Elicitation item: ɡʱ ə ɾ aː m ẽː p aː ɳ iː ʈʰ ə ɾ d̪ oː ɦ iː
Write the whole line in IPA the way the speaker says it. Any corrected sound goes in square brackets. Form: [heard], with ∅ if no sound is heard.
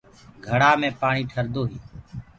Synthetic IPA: ɡʱ ə [ɽ] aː m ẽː p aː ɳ iː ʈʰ ə ɾ d̪ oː ɦ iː